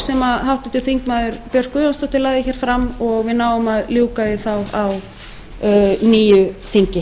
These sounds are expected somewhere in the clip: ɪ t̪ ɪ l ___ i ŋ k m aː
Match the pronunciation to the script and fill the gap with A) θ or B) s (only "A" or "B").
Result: A